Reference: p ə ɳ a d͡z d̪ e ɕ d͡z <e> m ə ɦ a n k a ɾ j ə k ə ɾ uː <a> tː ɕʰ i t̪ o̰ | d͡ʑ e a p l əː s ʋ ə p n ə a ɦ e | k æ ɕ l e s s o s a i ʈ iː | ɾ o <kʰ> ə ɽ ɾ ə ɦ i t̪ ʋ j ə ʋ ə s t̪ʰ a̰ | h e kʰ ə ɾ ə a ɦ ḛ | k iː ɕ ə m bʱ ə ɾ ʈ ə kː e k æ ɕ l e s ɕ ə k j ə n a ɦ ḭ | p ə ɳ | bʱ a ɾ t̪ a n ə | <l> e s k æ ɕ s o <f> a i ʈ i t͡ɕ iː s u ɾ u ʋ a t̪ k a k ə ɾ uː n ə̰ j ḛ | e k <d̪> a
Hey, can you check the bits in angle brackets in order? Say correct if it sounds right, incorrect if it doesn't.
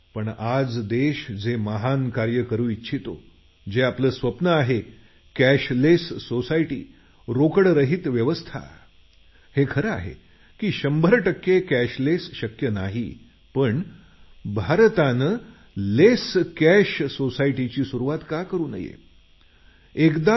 correct, incorrect: i, incorrect: k, correct, incorrect: s, correct

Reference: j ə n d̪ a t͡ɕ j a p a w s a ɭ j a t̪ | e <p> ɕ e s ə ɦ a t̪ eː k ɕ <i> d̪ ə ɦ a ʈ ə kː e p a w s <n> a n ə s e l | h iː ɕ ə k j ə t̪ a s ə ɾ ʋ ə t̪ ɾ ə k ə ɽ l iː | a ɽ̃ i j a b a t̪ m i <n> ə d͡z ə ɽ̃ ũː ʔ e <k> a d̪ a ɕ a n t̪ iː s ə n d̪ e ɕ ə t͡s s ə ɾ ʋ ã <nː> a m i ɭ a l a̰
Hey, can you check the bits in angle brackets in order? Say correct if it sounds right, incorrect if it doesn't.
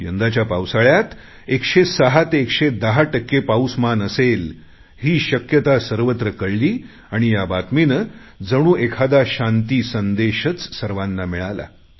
incorrect: k, incorrect: e, incorrect: m, correct, incorrect: kʰ, correct

